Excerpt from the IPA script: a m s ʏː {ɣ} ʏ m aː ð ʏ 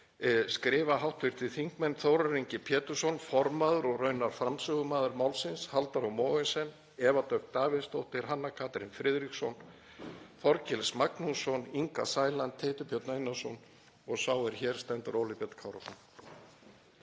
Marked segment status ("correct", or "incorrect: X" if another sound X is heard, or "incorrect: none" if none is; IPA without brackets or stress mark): correct